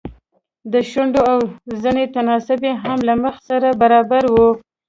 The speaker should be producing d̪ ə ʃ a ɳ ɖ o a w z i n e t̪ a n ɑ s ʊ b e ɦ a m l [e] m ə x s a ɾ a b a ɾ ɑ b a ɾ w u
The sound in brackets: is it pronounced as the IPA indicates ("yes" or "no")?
no